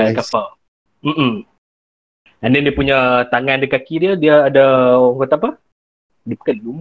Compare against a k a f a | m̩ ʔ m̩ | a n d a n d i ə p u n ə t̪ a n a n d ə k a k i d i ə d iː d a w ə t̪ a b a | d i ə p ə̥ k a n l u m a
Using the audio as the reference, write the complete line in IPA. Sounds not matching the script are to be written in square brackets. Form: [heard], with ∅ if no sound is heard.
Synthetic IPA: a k a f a | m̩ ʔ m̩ | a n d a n d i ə p u [ɲ] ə t̪ a [ŋ] a n d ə k a k i d i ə d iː d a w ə t̪ a [p] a | d i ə p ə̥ k a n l u m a